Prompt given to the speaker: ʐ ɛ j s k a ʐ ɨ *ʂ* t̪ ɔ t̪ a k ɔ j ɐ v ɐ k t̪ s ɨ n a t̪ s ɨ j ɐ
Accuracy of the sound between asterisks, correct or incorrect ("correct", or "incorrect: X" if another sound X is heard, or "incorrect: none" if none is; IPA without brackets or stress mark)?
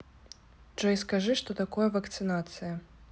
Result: correct